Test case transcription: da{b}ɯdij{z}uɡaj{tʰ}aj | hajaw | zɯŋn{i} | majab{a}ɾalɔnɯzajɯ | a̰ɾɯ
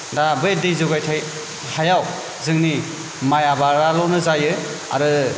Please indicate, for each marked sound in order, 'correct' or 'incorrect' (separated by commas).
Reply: correct, correct, correct, correct, correct